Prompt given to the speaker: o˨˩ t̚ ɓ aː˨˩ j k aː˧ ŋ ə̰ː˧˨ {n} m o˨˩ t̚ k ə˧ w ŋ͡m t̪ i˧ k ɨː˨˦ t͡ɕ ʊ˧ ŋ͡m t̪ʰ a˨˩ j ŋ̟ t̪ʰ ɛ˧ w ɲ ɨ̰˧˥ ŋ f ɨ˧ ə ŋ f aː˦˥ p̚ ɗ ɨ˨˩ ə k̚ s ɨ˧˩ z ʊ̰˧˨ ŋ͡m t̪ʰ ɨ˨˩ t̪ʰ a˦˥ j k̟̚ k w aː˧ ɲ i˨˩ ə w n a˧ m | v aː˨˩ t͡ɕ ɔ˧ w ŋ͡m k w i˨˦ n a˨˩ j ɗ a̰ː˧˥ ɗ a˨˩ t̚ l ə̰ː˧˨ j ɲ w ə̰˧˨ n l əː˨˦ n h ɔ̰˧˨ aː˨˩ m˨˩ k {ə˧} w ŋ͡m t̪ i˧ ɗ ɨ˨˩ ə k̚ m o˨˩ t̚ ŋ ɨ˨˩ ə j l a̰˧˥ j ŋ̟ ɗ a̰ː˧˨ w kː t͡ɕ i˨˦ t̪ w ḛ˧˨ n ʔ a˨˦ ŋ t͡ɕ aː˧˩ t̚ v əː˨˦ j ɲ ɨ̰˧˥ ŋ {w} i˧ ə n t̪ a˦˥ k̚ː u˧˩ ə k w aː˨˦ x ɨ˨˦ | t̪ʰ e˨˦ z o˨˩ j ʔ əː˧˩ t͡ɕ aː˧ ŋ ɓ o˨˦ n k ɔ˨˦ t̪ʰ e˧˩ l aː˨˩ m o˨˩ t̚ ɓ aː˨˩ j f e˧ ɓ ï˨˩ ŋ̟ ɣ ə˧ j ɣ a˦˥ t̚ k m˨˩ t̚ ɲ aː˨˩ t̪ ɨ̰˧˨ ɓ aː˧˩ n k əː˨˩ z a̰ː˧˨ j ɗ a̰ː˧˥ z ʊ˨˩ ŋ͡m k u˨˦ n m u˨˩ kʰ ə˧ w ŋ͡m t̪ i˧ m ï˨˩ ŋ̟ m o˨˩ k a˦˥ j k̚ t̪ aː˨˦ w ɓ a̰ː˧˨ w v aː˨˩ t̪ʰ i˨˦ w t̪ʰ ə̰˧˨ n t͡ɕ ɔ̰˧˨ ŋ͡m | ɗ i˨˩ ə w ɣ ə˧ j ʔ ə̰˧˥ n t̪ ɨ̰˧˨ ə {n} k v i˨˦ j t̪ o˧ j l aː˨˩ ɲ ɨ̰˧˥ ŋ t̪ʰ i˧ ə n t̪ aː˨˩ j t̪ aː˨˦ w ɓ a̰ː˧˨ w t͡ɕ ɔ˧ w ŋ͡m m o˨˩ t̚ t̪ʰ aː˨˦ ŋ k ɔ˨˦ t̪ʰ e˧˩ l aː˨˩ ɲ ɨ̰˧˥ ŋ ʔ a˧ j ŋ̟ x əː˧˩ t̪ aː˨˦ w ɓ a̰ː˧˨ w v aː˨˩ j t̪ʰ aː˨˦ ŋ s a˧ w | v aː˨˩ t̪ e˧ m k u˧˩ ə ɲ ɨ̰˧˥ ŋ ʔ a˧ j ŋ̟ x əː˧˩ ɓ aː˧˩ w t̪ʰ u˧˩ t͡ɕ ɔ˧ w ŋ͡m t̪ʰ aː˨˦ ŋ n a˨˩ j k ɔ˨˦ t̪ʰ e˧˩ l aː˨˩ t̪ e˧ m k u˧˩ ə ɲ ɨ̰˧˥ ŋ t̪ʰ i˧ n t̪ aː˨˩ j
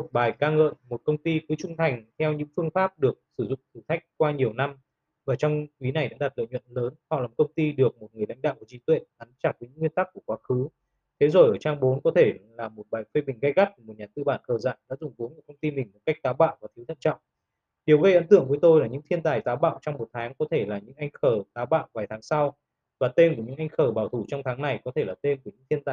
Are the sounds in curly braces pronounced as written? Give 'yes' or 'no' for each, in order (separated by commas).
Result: yes, yes, yes, no